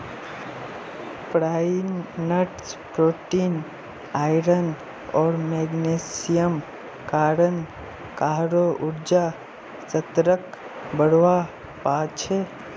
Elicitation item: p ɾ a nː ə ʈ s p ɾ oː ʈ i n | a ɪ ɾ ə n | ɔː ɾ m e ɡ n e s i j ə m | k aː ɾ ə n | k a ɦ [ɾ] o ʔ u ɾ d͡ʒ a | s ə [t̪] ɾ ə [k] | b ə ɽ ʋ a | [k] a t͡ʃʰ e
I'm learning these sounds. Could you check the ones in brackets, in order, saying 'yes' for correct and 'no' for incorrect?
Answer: yes, yes, yes, no

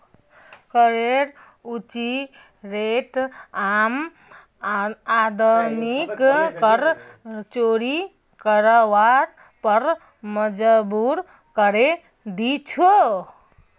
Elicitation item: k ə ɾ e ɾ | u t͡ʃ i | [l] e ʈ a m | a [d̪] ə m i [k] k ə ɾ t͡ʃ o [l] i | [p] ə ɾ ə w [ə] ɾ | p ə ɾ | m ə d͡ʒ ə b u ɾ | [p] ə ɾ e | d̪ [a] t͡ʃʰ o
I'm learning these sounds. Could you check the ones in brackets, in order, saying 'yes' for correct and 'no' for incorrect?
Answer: no, yes, yes, no, no, no, no, no

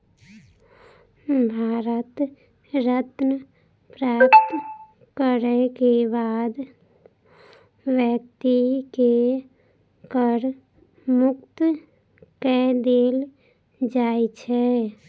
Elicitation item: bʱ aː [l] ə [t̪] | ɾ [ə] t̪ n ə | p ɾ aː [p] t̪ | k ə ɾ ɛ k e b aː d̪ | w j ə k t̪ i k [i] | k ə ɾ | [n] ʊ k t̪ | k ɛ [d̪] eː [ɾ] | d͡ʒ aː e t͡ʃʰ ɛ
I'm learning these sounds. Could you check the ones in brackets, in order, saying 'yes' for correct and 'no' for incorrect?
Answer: no, yes, yes, yes, no, no, yes, no

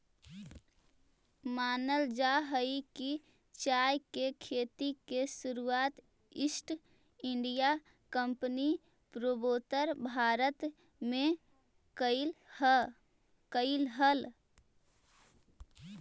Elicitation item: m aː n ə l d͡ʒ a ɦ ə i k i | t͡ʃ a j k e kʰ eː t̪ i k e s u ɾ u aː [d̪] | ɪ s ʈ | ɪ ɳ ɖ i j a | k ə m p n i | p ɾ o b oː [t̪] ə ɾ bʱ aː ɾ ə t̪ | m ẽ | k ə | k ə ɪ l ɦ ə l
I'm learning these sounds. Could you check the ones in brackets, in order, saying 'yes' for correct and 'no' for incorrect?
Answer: no, yes

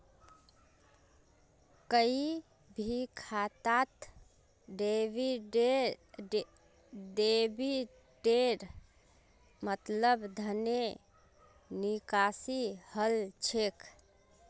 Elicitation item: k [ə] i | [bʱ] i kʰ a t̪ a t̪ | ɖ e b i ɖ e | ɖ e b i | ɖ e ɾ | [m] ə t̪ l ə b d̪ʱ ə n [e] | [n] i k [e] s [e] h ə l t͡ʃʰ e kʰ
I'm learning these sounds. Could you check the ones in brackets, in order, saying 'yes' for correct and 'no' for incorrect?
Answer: yes, yes, yes, yes, yes, no, no

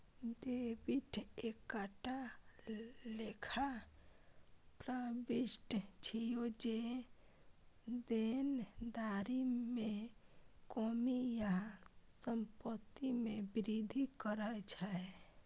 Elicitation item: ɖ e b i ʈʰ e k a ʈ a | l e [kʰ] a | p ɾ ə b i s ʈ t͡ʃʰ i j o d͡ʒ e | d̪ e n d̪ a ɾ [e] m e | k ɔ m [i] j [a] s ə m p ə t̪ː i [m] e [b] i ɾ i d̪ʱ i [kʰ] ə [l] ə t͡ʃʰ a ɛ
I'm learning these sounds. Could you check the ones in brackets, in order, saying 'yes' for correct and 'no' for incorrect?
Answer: yes, no, yes, yes, yes, yes, no, no

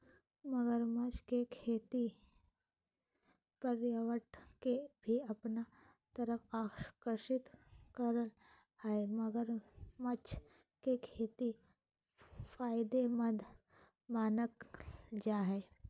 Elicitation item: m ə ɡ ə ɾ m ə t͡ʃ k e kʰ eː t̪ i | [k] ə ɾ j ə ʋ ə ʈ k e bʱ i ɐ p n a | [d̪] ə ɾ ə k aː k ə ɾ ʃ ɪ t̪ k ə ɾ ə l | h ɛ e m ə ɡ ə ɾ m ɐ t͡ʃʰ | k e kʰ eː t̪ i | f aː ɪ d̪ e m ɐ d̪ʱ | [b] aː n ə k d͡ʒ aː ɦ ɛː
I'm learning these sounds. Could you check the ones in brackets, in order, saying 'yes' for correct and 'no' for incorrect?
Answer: no, no, no

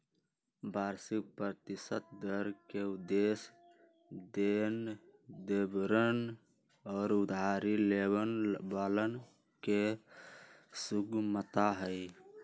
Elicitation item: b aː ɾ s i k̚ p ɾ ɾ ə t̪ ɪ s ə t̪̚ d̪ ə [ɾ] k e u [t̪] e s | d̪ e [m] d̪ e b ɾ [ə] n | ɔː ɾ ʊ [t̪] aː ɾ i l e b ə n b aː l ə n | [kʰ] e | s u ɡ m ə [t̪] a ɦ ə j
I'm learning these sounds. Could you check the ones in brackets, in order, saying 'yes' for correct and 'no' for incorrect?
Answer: yes, no, no, yes, no, no, yes

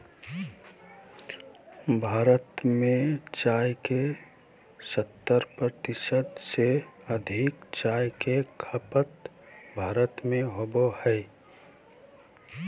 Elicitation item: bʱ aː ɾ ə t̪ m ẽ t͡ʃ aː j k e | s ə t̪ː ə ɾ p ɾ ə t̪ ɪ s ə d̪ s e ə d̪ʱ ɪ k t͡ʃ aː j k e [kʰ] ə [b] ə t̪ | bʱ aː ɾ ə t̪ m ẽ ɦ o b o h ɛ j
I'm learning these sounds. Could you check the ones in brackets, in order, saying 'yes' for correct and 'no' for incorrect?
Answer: yes, no

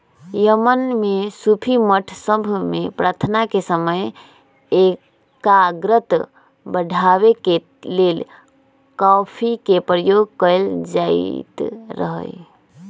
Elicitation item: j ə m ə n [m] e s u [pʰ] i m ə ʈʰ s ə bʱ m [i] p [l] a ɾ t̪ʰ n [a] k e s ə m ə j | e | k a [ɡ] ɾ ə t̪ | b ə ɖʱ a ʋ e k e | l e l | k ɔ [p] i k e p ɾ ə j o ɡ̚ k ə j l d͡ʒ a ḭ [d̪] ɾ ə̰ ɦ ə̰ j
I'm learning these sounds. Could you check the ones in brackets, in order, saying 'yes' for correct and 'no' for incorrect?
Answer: yes, yes, no, no, yes, yes, no, no

